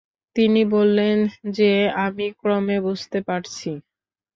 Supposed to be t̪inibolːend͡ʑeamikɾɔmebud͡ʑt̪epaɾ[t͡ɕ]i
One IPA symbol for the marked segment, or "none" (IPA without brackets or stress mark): t͡ɕʰ